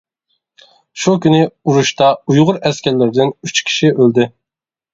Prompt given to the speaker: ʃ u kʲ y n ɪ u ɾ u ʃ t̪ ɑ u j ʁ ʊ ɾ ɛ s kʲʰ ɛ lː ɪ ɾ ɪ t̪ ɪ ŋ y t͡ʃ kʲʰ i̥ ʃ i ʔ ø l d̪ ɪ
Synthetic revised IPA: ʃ u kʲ y n ɪ u ɾ u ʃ t̪ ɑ u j ʁ ʊ ɾ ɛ s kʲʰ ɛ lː ɪ ɾ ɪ d̪ ɪ n y t͡ʃ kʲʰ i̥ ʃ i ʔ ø l d̪ ɪ

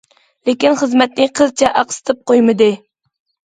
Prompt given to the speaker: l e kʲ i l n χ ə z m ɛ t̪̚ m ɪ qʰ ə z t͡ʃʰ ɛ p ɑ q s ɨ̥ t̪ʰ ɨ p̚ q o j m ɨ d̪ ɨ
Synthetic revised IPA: l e kʲ i n χ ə z m ɛ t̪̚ n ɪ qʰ ə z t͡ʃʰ ɛ ʔ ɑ q s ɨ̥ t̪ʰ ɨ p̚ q o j m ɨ d̪ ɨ

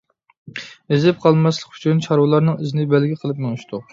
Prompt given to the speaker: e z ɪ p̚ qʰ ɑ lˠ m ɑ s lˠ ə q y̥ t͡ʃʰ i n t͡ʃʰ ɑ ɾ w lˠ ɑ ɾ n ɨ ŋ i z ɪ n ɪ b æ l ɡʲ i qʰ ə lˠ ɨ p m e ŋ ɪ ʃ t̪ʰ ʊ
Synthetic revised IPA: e z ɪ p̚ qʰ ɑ lˠ m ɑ s lˠ ə q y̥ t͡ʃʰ y n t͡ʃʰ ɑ ɾ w lˠ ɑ ɾ n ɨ ŋ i z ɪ n ɪ b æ l ɡʲ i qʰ ə lˠ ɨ p m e ŋ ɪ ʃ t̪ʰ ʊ

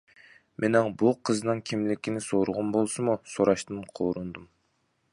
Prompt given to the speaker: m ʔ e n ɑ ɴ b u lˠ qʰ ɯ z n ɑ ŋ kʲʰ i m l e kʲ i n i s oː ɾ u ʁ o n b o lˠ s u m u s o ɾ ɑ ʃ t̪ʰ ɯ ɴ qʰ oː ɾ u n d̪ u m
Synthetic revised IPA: m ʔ e n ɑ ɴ b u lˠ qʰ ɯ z n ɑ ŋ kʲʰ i m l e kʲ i n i s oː ɾ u ʁ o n b o lˠ s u m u s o ɾ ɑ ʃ t̪ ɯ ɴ qʰ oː ɾ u n d̪ u m

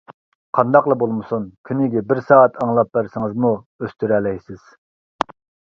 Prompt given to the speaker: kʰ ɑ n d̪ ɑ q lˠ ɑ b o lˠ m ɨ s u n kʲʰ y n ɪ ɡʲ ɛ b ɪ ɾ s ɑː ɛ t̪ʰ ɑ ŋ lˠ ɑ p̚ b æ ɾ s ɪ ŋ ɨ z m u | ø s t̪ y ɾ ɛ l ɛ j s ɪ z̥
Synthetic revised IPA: qʰ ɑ n d̪ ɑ q lˠ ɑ b o lˠ m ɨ s u n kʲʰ y n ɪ ɡʲ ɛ b ɪ ɾ s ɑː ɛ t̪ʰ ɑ ŋ lˠ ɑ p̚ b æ ɾ s ɪ ŋ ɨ z m u | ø s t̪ y ɾ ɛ l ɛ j s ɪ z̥

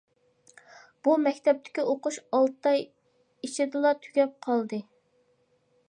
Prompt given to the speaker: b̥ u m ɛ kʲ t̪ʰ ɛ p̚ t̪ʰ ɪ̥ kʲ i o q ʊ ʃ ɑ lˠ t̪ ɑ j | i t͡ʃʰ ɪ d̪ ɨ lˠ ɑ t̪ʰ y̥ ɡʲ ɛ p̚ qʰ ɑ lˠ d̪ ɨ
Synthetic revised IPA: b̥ u m ɛ kʲ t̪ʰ ɛ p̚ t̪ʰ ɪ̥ kʲ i o q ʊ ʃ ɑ lˠ t̪ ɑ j | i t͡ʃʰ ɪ d̪ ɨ lˠ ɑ t̪ʰ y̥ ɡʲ ɛ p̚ qʰ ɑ lˠ d̪ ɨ

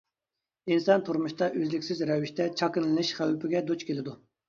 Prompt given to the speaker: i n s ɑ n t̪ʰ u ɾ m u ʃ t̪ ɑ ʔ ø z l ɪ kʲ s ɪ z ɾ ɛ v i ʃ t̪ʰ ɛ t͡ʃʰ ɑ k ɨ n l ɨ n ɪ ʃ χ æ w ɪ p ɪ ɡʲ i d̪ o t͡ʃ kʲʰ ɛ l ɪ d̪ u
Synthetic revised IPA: i n s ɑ n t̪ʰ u ɾ m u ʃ t̪ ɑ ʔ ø z l ɪ kʲ s ɪ z ɾ ɛ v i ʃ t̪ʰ ɛ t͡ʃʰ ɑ k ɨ n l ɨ n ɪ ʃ χ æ w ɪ p ɪ ɡʲ ɛ d̪ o t͡ʃ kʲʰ e l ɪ d̪ u

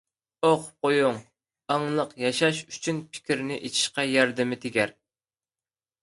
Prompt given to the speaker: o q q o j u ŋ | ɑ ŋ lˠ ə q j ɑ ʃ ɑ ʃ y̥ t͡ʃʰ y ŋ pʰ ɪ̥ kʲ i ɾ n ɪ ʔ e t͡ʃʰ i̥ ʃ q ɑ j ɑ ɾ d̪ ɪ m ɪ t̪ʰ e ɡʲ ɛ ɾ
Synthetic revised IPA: o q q o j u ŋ | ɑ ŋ lˠ ə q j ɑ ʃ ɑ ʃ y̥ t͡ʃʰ y n pʰ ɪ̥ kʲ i ɾ n ɪ ʔ e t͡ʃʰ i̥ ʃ q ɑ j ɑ ɾ d̪ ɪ m ɪ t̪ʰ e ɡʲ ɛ ɾ

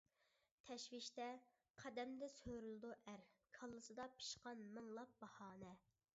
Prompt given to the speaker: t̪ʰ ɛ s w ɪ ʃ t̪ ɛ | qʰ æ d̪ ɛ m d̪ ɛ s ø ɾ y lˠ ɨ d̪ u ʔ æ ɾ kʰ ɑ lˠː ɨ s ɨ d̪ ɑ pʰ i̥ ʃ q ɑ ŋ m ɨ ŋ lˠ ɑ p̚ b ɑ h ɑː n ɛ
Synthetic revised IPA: t̪ʰ ɛ ʃ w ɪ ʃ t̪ ɛ | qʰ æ d̪ ɛ m d̪ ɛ s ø ɾ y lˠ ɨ d̪ u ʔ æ ɾ kʰ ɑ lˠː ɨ s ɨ d̪ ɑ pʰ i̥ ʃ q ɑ n m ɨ ŋ lˠ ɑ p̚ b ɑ h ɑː n ɛ

